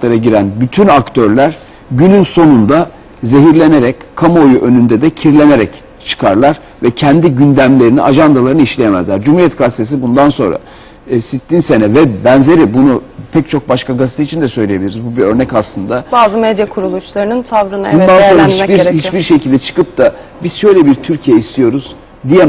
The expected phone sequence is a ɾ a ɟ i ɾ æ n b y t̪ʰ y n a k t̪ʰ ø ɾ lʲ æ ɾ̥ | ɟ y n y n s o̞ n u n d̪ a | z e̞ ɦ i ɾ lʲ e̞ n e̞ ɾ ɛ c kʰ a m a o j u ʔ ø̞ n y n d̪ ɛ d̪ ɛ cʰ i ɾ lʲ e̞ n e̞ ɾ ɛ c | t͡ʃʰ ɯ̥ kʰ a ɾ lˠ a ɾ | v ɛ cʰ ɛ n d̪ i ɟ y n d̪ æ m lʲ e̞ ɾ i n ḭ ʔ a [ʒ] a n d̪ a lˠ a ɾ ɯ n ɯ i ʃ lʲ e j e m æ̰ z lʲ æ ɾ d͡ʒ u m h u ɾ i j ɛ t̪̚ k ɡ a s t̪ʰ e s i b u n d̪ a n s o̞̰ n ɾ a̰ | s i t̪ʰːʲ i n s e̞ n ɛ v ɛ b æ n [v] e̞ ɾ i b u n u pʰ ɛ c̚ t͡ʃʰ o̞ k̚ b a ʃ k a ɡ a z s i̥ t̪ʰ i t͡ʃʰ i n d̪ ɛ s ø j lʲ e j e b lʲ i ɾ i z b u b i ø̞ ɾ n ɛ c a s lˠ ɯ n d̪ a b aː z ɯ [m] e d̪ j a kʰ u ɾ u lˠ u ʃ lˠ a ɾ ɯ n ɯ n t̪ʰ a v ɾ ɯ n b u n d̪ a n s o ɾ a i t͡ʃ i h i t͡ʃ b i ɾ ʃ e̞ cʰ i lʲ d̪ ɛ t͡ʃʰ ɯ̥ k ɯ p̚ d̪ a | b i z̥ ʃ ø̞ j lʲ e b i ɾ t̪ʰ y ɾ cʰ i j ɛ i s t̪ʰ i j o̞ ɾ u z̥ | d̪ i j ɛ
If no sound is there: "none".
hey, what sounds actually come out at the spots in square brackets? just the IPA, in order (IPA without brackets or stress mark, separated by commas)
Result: ʒ, z, m